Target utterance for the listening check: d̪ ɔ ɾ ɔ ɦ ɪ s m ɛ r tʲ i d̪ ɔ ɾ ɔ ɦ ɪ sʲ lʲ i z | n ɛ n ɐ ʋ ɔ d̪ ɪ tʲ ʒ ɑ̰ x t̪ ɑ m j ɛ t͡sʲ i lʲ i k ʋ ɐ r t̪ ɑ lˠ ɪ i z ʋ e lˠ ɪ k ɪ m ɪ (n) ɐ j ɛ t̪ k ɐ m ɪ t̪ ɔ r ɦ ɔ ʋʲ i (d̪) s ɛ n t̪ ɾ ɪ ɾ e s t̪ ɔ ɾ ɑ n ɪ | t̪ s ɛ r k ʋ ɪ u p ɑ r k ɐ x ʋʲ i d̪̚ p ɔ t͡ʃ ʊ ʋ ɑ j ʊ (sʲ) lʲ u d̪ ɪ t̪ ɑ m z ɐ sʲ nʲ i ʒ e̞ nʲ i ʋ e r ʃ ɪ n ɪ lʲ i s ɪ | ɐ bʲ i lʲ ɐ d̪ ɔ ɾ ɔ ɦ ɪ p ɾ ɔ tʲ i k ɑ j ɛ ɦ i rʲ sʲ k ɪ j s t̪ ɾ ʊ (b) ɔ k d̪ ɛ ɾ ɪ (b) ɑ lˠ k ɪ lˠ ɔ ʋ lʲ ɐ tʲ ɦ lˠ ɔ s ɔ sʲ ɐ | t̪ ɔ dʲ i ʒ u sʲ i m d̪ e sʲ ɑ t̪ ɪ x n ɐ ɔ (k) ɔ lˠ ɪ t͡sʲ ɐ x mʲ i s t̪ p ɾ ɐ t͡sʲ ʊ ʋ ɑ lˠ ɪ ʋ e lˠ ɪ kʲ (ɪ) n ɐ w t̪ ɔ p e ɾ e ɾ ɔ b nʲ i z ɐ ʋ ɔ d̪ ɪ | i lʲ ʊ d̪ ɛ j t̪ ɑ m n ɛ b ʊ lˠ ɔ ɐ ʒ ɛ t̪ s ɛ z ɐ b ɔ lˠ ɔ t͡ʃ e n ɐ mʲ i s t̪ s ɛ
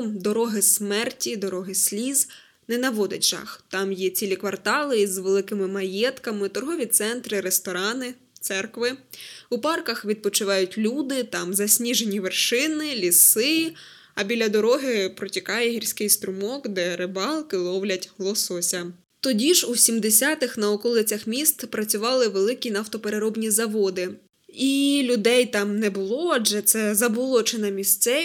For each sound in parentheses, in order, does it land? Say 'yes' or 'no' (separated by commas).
no, no, no, no, yes, yes, no